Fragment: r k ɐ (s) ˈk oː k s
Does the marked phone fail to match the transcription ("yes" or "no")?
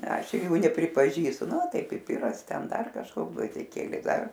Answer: yes